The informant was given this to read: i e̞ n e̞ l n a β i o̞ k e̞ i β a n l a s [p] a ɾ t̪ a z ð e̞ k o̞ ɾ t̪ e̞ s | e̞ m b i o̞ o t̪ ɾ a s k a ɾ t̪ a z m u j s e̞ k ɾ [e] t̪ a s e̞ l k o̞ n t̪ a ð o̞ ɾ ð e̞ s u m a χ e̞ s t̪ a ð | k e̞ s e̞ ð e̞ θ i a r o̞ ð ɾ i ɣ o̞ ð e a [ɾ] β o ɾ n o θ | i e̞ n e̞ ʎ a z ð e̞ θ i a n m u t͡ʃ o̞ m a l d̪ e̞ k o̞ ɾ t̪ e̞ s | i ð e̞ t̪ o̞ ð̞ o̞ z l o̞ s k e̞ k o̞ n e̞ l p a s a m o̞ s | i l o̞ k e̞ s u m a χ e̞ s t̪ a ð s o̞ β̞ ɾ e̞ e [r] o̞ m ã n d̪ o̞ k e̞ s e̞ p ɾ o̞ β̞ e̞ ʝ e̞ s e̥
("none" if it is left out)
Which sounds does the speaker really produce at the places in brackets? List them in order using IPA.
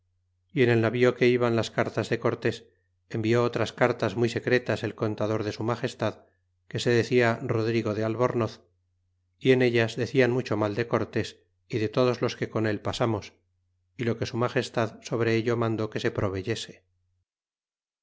k, e, l, ʎ

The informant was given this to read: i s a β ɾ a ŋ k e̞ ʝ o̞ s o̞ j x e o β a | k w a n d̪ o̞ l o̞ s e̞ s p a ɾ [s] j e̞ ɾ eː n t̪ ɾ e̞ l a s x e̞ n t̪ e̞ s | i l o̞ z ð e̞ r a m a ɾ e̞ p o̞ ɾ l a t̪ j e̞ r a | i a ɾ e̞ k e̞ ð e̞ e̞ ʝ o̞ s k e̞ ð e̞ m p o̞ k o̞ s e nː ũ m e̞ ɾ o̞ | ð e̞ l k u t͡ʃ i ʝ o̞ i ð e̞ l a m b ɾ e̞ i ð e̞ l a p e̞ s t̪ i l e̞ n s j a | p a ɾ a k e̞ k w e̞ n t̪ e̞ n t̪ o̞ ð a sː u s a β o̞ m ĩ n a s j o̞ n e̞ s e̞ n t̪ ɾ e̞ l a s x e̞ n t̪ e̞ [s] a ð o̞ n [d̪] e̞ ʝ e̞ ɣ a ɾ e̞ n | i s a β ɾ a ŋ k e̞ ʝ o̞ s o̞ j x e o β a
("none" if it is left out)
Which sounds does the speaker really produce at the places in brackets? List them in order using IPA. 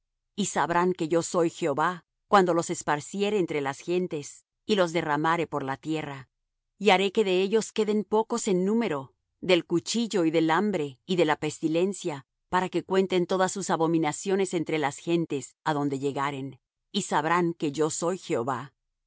s, s, d̪

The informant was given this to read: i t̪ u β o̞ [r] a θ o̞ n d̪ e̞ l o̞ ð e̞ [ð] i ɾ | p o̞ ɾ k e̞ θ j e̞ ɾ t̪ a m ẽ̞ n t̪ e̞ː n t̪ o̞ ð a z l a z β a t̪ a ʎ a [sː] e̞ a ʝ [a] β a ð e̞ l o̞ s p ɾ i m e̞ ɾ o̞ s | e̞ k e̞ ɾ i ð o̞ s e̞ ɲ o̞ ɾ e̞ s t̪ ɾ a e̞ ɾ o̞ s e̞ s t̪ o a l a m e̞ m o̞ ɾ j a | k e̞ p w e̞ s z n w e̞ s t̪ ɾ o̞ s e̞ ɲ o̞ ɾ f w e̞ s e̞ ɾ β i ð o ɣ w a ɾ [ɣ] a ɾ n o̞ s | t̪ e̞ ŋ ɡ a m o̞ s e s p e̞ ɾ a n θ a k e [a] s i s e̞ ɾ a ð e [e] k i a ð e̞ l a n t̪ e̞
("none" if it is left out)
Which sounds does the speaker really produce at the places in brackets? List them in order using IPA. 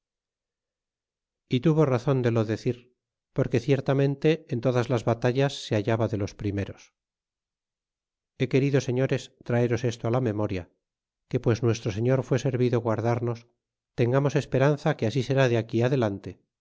r, θ, sː, a, ð, a, a

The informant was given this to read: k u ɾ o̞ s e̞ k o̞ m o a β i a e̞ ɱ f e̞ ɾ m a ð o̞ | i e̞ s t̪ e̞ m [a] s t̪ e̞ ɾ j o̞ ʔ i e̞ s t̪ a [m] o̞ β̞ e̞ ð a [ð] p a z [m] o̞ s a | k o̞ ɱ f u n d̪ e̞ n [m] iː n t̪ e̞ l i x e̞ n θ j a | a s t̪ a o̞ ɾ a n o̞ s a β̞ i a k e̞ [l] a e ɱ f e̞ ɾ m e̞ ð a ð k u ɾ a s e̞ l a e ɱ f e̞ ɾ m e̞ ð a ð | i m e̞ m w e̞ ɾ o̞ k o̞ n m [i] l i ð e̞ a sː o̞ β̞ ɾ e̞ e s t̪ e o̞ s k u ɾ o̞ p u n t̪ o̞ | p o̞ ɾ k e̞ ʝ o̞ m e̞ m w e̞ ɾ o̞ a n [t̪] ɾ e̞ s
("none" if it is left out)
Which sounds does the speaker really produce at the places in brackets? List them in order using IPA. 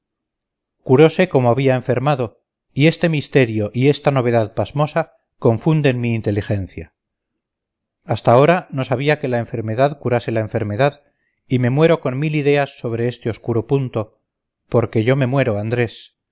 i, n, ð, m, m, l, i, d̪

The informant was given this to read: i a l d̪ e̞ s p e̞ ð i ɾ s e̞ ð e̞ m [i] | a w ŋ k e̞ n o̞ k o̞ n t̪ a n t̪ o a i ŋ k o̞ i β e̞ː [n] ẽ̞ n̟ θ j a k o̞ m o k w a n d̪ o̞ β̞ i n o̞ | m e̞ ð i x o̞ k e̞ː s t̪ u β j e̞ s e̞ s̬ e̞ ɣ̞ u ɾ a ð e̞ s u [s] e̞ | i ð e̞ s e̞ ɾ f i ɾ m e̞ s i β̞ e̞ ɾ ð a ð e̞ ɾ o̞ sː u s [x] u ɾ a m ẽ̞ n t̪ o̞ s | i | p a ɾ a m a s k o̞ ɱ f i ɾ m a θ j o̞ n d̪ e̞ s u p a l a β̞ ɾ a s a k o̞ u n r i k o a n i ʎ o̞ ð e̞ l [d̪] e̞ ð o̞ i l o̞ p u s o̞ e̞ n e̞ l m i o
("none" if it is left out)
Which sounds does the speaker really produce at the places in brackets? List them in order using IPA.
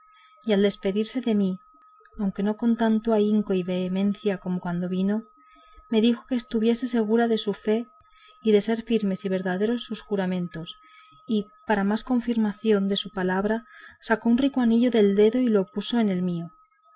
i, m, f, x, d̪

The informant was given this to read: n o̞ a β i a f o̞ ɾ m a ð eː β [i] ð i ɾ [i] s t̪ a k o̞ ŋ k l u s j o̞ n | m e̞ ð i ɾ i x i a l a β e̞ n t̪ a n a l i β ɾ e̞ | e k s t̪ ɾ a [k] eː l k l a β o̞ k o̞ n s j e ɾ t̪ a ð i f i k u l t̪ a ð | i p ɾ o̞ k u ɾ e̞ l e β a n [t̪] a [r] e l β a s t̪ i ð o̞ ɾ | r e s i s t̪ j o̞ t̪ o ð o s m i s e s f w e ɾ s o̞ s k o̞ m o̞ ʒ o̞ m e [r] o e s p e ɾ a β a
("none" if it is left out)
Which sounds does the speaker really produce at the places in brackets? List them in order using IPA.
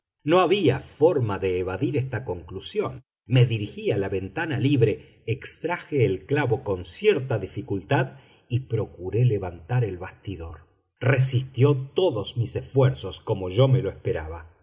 a, e, x, t̪, ɾ, l

